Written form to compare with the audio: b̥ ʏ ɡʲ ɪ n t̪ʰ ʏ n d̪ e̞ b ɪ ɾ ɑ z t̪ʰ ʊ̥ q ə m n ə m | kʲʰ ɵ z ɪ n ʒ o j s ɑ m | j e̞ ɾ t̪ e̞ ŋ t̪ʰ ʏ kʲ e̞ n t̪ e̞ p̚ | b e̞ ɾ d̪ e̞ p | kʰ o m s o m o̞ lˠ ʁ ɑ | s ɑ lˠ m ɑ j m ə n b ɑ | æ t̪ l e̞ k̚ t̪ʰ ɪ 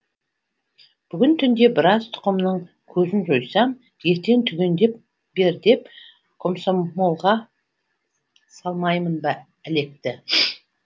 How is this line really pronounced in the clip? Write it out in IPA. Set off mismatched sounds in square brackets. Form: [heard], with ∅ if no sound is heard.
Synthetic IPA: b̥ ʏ ɡʲ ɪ n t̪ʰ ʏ n d̪ e̞ b ɪ ɾ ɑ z t̪ʰ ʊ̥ q ə m n ə [ɴ] | kʲʰ ɵ z ɪ n ʒ o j s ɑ m | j e̞ ɾ t̪ e̞ ŋ t̪ʰ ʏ [ɡʲ] e̞ n [d̪] e̞ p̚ | b e̞ ɾ d̪ e̞ p | kʰ o m s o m o̞ lˠ ʁ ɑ | s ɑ lˠ m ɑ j m ə n b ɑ | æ [∅] l e̞ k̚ [t̪] ɪ